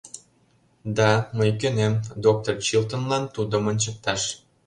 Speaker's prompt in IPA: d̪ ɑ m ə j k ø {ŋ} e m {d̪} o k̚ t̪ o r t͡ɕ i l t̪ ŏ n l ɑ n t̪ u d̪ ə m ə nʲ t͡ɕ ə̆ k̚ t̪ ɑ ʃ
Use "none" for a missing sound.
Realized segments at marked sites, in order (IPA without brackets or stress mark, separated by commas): n, d̪